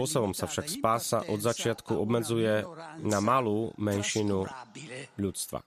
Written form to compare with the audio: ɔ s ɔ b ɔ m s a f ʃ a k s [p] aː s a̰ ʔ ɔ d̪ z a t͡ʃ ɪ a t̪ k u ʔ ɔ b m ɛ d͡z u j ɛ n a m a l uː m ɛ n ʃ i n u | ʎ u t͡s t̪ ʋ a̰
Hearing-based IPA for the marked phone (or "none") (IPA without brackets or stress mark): p